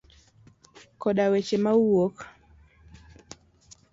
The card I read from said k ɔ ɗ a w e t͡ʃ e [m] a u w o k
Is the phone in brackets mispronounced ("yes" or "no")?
no